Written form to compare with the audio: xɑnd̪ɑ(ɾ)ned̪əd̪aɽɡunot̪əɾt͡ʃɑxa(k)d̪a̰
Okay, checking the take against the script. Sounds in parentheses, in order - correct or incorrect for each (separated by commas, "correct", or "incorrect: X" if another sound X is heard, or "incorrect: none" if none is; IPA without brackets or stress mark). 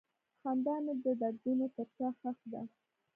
incorrect: none, incorrect: x